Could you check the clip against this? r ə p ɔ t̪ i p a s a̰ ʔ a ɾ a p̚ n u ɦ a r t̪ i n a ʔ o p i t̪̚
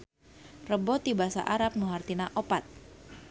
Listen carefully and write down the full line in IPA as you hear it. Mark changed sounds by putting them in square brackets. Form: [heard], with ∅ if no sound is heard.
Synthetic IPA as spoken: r ə [b] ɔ t̪ i [b] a s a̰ ʔ a ɾ a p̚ n u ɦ a r t̪ i n a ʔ o p [a] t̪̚